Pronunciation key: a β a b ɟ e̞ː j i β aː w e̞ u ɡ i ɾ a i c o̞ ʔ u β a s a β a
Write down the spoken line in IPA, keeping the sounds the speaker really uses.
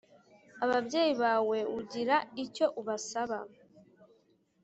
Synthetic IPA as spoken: a β a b ɟ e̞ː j i β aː w e̞ u ɟ i ɾ a i c o̞ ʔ u β a s a β a